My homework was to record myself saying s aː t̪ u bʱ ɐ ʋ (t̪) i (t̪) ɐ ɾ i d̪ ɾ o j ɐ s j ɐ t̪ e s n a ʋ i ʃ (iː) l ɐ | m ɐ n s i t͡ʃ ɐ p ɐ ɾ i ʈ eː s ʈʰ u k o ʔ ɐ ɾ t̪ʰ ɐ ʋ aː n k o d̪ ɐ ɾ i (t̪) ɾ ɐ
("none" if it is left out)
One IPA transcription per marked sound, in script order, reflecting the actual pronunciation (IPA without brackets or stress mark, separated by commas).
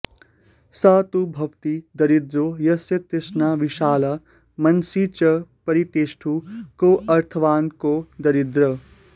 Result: t̪, d̪, aː, d̪